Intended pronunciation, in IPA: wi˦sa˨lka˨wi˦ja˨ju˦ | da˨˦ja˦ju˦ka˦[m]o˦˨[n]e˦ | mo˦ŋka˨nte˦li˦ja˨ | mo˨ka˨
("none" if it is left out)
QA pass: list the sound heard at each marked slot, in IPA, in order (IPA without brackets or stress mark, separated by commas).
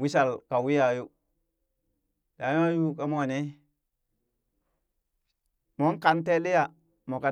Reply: m, n